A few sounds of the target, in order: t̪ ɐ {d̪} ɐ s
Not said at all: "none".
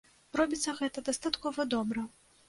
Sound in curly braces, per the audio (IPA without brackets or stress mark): d̪